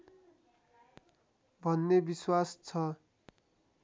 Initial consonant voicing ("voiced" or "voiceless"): voiced